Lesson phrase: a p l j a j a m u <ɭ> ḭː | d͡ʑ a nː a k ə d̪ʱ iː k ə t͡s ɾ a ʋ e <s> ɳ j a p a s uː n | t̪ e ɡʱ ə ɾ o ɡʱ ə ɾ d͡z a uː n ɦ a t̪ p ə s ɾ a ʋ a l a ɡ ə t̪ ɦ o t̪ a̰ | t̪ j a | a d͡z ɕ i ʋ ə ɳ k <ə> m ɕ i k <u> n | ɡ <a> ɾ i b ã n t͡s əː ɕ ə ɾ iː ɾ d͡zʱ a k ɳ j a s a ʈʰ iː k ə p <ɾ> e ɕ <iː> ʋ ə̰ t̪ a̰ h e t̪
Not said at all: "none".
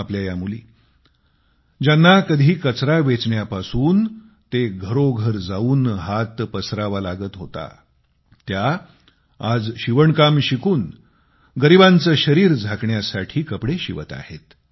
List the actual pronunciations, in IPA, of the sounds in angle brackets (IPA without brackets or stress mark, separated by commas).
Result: l, t͡s, a, uː, ə, ɽ, i